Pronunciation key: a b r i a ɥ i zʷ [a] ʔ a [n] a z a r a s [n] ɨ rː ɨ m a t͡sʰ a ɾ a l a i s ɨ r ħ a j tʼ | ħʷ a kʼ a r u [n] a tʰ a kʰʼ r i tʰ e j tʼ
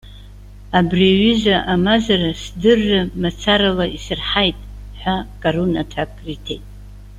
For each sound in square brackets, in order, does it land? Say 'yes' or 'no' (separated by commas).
yes, no, no, yes